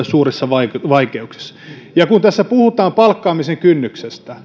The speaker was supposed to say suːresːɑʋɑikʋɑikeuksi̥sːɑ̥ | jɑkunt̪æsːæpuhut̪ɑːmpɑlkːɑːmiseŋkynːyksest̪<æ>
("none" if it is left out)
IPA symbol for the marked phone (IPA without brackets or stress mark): æ